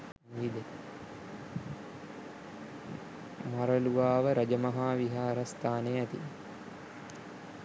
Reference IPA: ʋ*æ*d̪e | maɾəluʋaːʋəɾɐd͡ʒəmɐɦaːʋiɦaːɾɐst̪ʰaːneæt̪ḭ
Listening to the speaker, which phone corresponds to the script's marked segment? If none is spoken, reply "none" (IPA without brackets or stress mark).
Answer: i